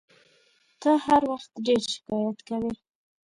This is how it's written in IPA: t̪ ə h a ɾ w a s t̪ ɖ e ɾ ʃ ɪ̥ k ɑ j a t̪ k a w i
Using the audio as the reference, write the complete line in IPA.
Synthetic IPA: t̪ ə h a ɾ w a x t̪ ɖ e ɾ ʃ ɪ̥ k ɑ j a t̪ k a w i